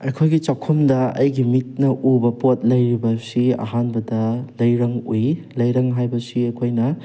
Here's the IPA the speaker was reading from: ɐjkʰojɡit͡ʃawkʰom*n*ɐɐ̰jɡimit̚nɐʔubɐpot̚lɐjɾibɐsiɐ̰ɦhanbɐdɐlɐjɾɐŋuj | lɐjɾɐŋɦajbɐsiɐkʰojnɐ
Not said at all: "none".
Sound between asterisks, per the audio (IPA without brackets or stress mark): d